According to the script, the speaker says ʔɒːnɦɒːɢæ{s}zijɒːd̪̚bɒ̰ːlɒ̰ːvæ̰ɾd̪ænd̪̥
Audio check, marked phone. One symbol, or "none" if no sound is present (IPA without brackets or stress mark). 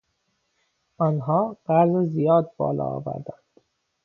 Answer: z